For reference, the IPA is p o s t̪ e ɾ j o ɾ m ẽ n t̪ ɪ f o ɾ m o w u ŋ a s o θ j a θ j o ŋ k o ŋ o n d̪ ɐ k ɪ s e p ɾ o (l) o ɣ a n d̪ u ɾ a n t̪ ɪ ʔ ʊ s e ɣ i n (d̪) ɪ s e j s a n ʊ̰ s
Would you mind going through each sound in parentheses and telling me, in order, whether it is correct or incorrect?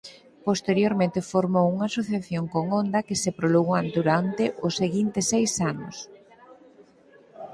correct, incorrect

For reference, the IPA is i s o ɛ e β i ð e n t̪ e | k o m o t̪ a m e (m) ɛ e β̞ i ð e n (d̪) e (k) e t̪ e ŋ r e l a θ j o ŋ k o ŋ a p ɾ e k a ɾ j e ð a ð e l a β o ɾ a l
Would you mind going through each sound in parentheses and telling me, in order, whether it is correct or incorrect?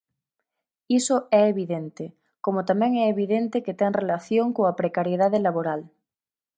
incorrect, incorrect, correct

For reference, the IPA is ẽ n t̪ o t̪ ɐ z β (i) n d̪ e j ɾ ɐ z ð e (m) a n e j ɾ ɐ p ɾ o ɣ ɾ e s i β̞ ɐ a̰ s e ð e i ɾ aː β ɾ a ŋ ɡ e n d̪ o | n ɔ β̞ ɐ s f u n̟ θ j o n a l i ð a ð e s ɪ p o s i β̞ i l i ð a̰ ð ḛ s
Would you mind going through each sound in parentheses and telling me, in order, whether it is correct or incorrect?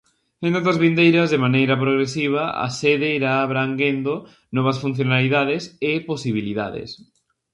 correct, correct

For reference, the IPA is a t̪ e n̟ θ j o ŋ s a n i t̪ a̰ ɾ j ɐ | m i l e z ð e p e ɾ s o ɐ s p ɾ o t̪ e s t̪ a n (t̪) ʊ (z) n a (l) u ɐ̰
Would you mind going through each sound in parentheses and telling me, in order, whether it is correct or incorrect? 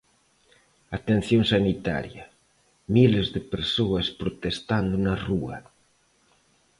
incorrect, incorrect, incorrect

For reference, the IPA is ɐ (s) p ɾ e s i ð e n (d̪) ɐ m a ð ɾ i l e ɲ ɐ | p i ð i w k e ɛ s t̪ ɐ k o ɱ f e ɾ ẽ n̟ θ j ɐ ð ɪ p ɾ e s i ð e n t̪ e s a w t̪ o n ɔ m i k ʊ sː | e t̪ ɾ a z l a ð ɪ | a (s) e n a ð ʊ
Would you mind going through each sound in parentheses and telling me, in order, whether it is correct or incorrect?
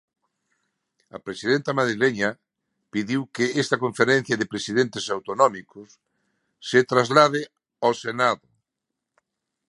incorrect, incorrect, correct

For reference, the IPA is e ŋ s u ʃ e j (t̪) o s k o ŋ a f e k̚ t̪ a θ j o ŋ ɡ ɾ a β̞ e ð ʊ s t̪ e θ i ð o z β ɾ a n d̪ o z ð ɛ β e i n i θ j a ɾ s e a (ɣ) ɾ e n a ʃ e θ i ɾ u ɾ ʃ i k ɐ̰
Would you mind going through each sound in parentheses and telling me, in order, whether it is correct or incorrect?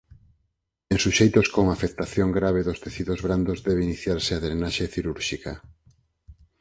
correct, incorrect

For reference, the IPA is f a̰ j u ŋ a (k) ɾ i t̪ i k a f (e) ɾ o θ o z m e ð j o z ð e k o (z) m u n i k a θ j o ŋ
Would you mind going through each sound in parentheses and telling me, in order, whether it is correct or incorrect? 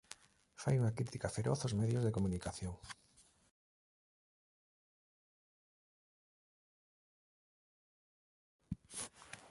correct, correct, incorrect

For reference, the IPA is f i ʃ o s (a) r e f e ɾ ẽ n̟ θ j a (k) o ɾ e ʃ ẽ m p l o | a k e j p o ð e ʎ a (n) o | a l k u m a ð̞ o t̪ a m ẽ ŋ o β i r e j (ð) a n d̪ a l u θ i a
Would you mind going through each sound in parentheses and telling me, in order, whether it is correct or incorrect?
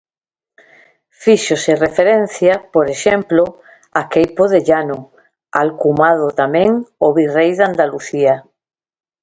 incorrect, incorrect, correct, correct

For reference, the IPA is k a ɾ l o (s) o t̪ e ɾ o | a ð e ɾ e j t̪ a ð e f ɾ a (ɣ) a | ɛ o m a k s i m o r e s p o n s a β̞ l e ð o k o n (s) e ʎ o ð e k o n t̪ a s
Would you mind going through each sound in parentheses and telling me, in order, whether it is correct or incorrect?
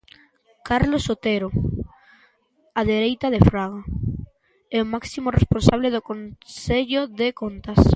correct, correct, correct

